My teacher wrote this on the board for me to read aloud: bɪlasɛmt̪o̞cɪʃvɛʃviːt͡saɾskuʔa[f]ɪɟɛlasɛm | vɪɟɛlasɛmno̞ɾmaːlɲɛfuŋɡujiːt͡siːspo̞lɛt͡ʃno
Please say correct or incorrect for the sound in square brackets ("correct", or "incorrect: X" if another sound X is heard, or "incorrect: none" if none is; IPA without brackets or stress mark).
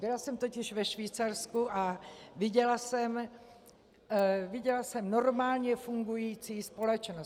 incorrect: v